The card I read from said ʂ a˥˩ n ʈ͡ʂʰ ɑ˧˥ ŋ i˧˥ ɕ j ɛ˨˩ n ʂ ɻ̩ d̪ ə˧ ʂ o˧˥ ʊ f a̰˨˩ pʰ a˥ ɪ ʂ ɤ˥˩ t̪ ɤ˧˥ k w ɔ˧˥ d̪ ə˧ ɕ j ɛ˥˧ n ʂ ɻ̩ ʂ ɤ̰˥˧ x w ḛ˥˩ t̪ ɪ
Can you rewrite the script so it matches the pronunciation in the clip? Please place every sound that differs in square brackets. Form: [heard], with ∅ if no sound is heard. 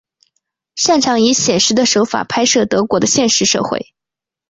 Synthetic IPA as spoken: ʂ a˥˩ n ʈ͡ʂʰ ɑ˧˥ ŋ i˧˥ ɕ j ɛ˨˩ n ʂ ɻ̩ d̪ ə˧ ʂ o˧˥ ʊ f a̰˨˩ pʰ a˥ ɪ ʂ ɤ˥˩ t̪ ɤ˧˥ k w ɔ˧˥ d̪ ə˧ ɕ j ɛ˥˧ n ʂ ɻ̩ ʂ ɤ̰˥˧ x w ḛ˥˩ [∅] ɪ